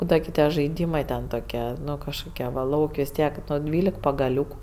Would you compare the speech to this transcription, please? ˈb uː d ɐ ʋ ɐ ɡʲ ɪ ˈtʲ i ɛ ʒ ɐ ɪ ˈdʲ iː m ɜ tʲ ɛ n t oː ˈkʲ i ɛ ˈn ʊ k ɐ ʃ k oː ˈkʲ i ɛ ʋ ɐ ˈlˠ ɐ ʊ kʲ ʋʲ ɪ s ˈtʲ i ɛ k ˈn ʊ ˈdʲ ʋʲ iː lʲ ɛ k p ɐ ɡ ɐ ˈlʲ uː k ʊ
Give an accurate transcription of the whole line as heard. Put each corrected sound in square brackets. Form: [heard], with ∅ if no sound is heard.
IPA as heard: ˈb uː d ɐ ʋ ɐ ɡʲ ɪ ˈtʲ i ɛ ʒ ɐ ɪ ˈdʲ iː m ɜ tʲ ɛ n t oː ˈkʲ i ɛ ˈn ʊ k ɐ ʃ k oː ˈkʲ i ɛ ʋ ɐ ˈlˠ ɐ ʊ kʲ ʋʲ ɪ s ˈtʲ i ɛ k ˈn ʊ ˈdʲ ʋʲ iː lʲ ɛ k p ɐ ɡ ɐ ˈlʲ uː k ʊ

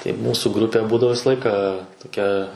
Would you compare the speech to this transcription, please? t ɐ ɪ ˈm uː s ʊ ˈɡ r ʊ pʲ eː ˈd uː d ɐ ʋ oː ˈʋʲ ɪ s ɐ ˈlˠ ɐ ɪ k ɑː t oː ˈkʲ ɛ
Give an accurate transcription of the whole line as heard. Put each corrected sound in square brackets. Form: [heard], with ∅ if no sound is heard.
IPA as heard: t ɐ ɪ ˈm uː s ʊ ˈɡ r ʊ pʲ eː [ˈb] uː d ɐ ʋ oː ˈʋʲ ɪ s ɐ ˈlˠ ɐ ɪ k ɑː t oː ˈkʲ ɛ

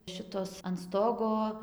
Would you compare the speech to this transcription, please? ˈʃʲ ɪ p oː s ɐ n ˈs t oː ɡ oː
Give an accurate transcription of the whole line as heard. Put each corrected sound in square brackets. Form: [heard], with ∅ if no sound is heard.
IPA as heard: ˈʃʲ ɪ [t] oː s ɐ n ˈs t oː ɡ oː

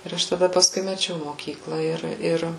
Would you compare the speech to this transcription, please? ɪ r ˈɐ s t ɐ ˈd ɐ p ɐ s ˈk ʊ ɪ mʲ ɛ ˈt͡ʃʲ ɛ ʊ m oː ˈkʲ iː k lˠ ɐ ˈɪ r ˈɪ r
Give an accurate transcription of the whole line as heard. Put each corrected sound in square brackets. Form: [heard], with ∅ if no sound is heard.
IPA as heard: ɪ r ˈɐ [ʃ] t ɐ ˈd ɐ p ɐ s ˈk ʊ ɪ mʲ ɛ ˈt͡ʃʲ ɛ ʊ m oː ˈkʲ iː k lˠ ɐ ˈɪ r ˈɪ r

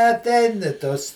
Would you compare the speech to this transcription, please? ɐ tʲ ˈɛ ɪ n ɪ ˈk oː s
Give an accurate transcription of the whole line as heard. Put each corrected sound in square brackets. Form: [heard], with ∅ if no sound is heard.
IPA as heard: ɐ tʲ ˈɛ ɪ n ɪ [ˈt] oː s

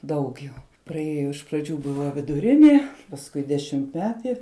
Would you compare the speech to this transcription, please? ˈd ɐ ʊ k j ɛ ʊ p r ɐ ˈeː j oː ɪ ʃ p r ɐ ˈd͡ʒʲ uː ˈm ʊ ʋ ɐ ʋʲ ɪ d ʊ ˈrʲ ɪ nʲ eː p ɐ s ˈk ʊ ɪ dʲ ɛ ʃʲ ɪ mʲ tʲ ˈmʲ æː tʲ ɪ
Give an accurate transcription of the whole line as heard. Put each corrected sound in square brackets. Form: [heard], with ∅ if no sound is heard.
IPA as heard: ˈd ɐ ʊ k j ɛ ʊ p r ɐ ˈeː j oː ɪ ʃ p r ɐ ˈd͡ʒʲ uː [ˈb] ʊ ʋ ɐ ʋʲ ɪ d ʊ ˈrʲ ɪ nʲ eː p ɐ s ˈk ʊ ɪ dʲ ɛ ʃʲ ɪ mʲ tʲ ˈmʲ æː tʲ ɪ

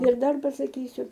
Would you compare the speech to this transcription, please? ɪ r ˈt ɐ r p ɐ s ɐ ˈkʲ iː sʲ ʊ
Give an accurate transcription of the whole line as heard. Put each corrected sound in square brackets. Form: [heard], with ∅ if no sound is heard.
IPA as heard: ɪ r [ˈd] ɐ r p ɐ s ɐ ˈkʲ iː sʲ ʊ

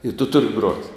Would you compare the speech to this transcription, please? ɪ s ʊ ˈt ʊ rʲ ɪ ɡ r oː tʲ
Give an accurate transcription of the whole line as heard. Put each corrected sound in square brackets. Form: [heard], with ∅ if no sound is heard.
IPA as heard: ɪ [t] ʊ ˈt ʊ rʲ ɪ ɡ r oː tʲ

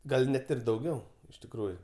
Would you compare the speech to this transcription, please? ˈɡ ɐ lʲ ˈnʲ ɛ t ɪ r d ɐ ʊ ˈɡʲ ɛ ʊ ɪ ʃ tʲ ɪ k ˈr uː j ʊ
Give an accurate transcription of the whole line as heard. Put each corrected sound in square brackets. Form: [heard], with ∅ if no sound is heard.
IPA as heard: ˈɡ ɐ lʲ ˈnʲ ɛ t ɪ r d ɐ ʊ ˈɡʲ ɛ ʊ ɪ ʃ tʲ ɪ k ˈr uː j ʊ

